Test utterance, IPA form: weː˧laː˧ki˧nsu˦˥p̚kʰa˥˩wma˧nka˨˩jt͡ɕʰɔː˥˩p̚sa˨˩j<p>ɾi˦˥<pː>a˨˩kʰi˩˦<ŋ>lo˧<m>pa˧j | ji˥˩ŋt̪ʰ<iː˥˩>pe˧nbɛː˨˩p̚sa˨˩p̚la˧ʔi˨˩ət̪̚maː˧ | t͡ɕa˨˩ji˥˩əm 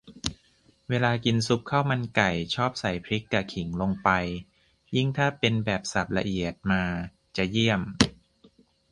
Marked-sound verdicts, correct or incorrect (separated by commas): incorrect, incorrect, correct, incorrect, incorrect